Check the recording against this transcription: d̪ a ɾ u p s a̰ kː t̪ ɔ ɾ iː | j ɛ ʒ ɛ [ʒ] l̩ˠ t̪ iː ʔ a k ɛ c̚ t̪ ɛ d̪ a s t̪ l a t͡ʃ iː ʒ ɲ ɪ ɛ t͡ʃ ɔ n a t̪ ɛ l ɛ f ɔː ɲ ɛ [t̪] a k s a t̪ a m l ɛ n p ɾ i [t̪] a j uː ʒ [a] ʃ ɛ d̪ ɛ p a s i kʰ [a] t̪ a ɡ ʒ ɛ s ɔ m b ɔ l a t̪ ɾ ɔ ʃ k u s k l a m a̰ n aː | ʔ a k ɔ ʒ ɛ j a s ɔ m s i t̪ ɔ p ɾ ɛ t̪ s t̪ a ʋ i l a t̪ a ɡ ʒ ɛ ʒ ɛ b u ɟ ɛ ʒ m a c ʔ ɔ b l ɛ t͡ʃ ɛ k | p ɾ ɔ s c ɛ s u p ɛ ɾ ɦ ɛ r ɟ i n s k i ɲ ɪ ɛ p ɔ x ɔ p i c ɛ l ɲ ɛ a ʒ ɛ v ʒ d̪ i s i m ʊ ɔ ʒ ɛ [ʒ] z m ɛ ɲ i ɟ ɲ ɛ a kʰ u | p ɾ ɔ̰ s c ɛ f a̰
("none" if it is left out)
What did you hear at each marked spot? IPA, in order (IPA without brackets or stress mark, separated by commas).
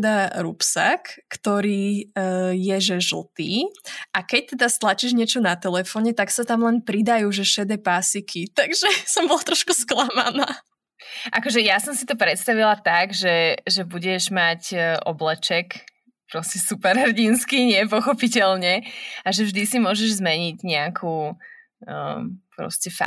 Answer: ʒ, t̪, d̪, ɛ, i, ʒ